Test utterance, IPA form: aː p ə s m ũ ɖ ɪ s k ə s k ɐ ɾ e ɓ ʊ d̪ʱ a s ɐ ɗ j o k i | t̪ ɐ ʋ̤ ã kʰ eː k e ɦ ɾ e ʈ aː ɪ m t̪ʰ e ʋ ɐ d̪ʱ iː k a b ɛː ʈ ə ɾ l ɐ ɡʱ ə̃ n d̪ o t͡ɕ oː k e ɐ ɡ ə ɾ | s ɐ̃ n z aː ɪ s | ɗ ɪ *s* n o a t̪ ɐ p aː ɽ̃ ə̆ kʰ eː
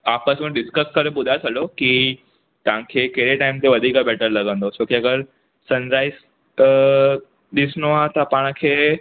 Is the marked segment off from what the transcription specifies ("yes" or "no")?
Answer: no